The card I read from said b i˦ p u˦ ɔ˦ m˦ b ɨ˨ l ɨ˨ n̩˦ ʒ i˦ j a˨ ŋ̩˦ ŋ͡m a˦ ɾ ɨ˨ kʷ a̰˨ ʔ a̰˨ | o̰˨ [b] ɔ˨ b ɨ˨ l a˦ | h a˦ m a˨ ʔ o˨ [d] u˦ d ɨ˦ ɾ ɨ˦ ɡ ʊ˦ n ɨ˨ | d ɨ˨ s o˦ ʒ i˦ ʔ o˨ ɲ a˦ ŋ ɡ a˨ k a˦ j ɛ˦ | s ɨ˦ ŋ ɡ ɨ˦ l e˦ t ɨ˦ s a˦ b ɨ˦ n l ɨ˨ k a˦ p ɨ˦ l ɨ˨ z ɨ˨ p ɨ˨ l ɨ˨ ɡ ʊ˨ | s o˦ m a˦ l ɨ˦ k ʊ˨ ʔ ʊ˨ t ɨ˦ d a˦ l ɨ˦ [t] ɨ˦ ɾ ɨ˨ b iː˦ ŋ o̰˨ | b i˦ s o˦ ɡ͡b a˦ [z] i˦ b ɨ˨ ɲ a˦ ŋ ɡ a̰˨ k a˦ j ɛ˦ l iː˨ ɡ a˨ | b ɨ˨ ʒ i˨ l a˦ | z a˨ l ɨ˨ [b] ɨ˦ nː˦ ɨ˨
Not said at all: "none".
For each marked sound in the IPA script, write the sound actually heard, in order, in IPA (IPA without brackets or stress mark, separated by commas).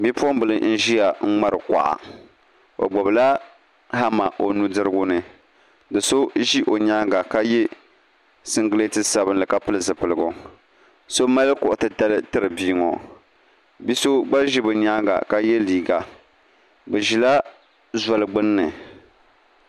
ɡ͡b, n, t, ʒ, ɡ͡b